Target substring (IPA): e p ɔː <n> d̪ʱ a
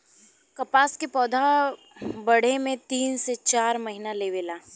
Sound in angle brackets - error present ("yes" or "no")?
yes